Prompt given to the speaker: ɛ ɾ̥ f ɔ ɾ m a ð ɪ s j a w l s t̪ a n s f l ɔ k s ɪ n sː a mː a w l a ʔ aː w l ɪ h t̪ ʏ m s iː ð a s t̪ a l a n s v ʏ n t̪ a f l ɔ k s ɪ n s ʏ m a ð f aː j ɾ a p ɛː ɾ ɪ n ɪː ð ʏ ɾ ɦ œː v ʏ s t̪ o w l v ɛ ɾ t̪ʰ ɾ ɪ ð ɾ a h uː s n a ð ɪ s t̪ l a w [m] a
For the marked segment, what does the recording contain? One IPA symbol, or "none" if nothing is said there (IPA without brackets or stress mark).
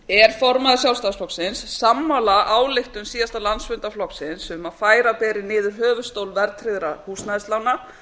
n